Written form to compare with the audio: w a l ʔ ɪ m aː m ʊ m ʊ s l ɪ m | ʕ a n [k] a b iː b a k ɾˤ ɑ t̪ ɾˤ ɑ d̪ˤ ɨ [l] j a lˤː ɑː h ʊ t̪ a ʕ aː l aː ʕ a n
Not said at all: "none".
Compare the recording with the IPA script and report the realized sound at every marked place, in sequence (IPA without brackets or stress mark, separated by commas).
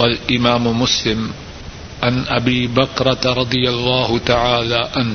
ʔ, none